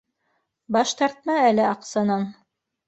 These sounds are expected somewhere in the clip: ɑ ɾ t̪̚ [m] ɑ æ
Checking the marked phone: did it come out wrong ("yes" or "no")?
no